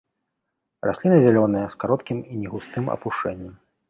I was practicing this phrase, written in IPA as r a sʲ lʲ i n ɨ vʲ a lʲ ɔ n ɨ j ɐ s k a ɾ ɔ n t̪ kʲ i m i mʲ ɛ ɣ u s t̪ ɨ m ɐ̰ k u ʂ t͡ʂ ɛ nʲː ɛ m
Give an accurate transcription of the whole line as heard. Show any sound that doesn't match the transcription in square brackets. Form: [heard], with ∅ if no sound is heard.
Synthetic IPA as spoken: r a sʲ lʲ i n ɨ [zʲ] a lʲ ɔ n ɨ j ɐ s k a ɾ ɔ [∅] t̪ kʲ i m i [nʲ] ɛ ɣ u s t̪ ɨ m ɐ̰ [p] u ʂ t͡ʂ ɛ nʲː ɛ m